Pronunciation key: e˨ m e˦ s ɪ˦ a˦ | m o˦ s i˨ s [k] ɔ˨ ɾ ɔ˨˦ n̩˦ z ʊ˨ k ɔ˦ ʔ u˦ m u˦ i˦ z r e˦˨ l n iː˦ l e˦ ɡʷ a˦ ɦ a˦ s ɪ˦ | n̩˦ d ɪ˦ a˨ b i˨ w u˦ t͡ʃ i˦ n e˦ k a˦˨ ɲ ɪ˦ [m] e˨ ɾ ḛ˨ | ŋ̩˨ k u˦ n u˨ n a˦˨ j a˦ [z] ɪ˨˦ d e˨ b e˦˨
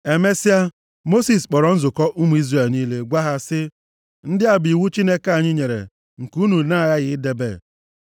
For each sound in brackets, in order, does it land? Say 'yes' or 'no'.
no, no, no

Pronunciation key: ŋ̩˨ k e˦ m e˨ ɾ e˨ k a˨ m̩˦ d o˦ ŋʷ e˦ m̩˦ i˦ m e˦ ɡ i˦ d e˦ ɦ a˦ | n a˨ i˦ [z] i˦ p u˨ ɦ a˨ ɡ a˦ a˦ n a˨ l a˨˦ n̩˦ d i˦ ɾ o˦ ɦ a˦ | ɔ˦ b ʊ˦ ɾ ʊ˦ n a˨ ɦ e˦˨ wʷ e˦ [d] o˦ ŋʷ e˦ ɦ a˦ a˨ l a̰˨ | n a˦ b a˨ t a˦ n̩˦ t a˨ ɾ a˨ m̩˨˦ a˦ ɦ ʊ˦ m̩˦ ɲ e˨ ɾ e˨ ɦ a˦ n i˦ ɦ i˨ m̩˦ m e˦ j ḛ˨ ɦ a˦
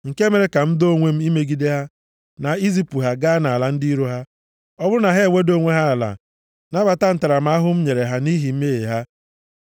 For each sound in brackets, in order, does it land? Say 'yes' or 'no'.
yes, yes

